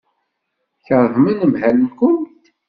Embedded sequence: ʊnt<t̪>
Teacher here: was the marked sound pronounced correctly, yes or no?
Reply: yes